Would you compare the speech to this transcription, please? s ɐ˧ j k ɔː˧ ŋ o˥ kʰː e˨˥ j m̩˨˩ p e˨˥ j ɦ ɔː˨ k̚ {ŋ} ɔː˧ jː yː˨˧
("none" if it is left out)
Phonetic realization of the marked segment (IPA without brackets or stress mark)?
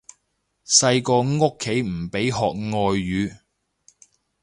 ŋ